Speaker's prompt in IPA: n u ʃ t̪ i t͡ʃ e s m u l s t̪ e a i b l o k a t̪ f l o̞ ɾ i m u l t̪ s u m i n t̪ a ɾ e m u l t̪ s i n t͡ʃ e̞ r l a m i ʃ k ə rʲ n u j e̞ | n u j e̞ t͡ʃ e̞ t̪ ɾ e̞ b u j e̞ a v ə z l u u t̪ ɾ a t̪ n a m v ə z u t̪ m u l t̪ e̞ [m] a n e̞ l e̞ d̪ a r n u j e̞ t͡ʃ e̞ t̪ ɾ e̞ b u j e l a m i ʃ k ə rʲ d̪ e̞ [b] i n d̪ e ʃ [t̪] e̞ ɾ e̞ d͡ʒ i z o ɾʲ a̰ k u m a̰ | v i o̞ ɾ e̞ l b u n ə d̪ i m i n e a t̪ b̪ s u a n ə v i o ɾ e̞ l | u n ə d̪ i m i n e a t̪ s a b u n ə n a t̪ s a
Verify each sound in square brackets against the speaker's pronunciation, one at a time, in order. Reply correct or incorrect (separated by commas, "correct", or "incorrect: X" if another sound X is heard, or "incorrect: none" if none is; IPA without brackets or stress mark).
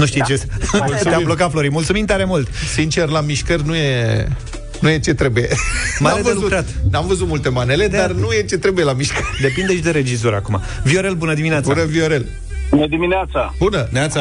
correct, incorrect: p, incorrect: d̪